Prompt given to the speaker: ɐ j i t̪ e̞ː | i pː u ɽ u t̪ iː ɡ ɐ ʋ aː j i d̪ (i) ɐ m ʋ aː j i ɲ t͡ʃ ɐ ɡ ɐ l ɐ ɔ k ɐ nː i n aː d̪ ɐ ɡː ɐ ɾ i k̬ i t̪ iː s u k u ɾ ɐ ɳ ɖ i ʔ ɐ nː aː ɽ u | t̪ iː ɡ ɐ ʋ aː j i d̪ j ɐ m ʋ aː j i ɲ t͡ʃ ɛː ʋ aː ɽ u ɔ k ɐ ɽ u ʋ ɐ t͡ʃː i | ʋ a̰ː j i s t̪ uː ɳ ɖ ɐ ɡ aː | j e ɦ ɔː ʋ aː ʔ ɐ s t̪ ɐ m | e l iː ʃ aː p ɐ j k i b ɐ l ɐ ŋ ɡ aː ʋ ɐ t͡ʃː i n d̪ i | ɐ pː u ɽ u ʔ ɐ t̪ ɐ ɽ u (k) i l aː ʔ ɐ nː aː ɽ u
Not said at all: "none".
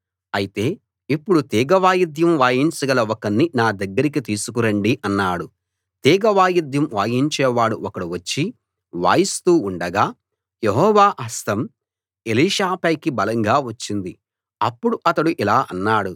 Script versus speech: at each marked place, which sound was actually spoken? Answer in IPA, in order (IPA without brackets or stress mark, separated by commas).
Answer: j, ʔ